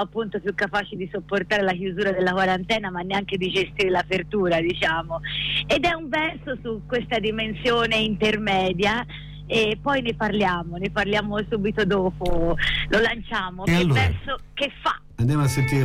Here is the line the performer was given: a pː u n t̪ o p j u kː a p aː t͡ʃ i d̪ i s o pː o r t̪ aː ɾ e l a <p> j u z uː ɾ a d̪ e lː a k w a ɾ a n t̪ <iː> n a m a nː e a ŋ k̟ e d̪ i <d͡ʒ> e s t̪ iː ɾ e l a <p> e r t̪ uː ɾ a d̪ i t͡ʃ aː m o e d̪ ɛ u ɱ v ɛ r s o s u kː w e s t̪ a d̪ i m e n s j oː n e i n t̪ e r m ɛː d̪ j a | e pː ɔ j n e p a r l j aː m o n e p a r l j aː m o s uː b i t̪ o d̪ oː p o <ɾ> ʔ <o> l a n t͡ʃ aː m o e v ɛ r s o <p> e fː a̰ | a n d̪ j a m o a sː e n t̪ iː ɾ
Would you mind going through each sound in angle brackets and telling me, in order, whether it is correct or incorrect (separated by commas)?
incorrect, incorrect, correct, correct, incorrect, correct, incorrect